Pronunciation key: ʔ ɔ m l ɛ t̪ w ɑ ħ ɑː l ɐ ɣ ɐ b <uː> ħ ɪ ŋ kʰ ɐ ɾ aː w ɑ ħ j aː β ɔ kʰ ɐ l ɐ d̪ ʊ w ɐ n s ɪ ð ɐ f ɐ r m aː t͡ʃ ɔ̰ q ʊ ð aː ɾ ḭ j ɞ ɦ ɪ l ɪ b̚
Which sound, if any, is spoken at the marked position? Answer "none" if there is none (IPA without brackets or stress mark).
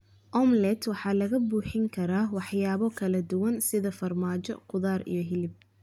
uː